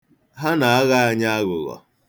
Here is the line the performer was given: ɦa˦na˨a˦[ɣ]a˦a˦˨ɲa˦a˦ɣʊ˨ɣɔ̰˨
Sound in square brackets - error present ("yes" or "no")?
no